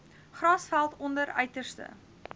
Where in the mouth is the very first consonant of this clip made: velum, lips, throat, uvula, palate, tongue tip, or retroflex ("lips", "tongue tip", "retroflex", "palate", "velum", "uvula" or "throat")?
uvula